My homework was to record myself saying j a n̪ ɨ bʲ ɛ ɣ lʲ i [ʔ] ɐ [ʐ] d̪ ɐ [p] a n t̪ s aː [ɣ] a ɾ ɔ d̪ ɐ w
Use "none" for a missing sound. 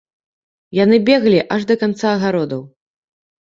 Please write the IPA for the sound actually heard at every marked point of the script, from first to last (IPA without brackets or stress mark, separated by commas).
ʔ, ʐ, k, ɣ